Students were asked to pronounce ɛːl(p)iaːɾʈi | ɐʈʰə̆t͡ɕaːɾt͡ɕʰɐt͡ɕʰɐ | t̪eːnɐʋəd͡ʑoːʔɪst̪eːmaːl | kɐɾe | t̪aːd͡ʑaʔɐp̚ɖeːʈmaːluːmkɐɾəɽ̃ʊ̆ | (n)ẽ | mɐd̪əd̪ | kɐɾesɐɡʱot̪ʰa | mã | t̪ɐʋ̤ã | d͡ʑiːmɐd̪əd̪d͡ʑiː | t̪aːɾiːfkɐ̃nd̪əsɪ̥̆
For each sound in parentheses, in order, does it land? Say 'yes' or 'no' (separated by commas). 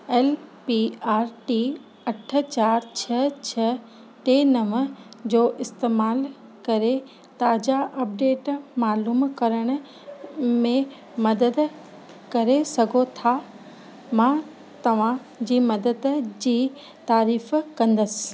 yes, no